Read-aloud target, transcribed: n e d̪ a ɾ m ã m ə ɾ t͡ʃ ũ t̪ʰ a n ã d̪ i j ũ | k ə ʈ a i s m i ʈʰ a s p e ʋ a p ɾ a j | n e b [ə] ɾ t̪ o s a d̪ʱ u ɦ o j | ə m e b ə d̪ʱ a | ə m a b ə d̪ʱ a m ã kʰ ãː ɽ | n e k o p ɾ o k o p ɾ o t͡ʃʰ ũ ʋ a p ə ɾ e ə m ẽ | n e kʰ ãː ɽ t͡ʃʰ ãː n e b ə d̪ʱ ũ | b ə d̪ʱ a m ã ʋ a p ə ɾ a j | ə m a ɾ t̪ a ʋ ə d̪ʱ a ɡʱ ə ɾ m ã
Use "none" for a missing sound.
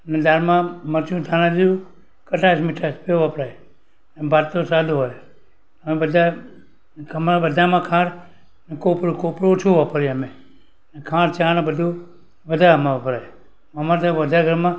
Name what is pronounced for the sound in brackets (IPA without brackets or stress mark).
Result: a